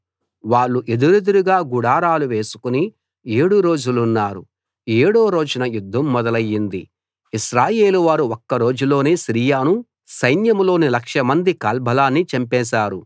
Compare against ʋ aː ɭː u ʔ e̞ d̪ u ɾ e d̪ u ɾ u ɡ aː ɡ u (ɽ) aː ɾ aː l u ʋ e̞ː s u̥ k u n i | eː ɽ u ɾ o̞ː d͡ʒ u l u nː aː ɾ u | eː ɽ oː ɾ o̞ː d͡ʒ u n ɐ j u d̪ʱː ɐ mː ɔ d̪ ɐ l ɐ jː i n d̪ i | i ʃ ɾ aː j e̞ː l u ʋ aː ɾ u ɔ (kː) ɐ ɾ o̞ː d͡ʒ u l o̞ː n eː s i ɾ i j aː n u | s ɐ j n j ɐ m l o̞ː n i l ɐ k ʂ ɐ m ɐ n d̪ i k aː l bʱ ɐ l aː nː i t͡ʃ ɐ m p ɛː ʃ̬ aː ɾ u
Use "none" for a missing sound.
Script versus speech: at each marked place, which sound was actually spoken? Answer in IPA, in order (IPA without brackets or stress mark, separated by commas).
ɽ, kː